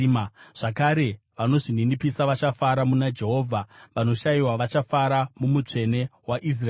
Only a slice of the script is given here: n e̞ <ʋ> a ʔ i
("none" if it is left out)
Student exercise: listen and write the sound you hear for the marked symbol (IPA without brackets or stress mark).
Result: w